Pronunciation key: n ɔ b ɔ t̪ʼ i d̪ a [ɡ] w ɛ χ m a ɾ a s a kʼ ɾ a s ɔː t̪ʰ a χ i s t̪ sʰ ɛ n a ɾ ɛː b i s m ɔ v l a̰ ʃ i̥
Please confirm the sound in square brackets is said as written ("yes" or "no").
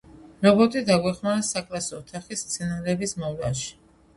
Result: yes